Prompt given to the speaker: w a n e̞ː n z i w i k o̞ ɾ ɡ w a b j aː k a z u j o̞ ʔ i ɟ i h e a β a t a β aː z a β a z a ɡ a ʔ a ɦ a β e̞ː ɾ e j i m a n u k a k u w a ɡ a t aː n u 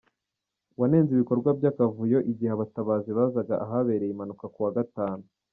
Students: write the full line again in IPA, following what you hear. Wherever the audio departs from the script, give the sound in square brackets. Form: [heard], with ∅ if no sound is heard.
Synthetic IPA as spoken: w a n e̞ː n z i [β] i k o̞ ɾ ɡ w a b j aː k a [v] u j o̞ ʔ i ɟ i h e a β a t a β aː z [i] β a z a ɡ a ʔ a ɦ a β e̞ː ɾ e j i m a n u k a k u w a ɡ a t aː n u